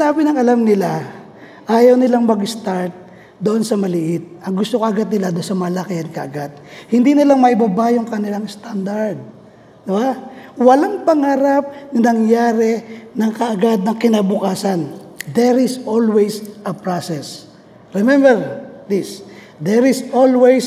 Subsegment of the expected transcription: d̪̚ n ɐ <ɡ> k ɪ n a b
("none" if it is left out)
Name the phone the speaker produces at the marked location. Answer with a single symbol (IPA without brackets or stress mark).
ŋ